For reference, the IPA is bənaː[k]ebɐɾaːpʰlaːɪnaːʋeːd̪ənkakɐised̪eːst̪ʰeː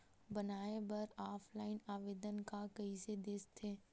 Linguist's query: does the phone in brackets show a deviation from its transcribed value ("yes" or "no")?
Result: yes